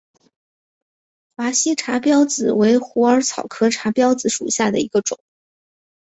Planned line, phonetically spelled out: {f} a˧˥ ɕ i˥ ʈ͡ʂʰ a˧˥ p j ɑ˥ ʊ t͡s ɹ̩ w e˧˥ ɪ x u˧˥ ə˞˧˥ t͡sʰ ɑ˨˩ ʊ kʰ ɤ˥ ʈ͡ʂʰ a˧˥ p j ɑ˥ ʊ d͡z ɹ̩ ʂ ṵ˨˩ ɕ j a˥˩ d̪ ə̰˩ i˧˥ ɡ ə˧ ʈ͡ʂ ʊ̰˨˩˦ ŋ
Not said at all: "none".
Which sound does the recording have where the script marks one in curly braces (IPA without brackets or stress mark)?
f